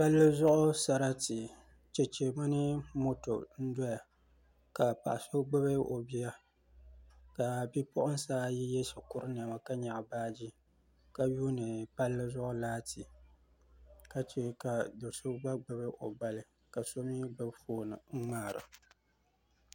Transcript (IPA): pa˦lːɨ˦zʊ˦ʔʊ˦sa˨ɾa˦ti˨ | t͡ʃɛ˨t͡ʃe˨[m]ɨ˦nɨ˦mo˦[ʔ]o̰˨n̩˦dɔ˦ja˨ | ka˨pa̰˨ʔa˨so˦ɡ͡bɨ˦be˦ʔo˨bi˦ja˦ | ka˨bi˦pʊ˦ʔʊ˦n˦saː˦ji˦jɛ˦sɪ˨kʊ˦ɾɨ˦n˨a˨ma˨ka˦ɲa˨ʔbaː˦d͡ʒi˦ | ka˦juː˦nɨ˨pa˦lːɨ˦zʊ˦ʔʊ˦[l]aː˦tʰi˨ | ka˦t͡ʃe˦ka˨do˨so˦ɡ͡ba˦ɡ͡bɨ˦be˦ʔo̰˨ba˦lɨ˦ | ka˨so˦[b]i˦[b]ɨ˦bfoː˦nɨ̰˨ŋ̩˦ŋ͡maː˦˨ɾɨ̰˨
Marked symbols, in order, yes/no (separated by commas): yes, no, yes, no, yes